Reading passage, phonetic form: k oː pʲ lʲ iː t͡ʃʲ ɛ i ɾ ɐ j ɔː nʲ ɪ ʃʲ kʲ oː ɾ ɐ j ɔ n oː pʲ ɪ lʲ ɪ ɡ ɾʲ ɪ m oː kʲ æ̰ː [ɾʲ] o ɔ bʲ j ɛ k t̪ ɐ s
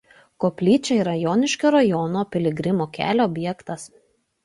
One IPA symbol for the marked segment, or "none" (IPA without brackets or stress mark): lʲ